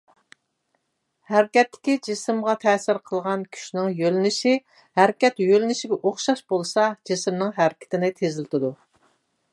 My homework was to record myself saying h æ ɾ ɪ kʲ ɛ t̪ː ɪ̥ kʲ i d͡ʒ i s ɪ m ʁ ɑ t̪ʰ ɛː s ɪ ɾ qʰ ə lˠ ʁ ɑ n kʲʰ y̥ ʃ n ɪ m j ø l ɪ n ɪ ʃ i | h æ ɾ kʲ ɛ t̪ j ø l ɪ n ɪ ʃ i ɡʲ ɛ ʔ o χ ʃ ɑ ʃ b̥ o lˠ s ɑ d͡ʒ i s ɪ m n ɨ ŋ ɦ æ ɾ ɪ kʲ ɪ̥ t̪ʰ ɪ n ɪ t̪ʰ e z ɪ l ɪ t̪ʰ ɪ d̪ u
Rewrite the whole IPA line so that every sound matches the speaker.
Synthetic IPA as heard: h æ ɾ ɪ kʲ ɛ t̪ː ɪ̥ kʲ i d͡ʒ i s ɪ m ʁ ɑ t̪ʰ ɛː s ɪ ɾ qʰ ə lˠ ʁ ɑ n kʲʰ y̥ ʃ n ɪ ŋ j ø l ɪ n ɪ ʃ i | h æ ɾ kʲ ɛ t̪ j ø l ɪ n ɪ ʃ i ɡʲ ɛ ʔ o χ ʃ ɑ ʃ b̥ o lˠ s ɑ d͡ʒ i s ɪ m n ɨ ŋ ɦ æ ɾ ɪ kʲ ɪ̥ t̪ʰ ɪ n ɪ t̪ʰ e z ɪ l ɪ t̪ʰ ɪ d̪ u